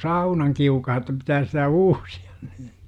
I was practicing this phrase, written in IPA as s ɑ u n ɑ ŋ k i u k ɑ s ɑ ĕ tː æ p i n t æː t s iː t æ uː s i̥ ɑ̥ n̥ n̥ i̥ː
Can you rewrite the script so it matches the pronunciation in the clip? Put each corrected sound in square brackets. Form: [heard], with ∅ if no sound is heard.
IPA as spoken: s ɑ u n ɑ ŋ k i u k ɑ [h] ɑ ĕ tː æ p i [∅] t æː [s] s [i] t æ uː s i̥ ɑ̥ n̥ n̥ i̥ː